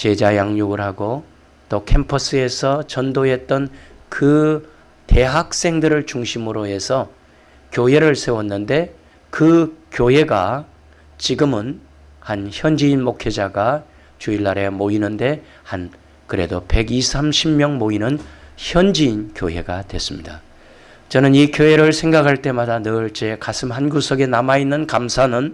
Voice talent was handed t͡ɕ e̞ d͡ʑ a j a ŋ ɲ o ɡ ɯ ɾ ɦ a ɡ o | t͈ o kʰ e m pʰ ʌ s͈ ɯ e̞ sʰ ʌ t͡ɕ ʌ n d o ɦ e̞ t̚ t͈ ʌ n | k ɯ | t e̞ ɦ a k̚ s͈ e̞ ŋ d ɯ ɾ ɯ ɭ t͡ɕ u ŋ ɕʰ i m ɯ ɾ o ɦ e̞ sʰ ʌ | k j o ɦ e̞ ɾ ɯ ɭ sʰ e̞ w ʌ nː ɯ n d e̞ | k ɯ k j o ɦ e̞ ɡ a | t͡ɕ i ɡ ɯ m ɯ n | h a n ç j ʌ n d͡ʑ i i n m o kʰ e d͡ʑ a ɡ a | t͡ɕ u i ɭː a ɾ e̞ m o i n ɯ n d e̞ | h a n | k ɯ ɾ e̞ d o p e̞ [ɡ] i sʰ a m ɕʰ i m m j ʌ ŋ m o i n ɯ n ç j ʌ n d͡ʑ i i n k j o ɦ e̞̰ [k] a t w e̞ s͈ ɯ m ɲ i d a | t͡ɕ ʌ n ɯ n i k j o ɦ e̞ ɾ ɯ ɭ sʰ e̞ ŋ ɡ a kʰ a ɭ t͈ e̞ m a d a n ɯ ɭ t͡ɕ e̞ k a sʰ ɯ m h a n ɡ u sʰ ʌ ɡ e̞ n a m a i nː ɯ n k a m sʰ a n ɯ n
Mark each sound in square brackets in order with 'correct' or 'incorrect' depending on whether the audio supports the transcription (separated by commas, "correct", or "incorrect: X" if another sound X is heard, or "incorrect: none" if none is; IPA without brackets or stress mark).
correct, incorrect: ɡ